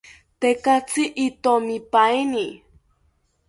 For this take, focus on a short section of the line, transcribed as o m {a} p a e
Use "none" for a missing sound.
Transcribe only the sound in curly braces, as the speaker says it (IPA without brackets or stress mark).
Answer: i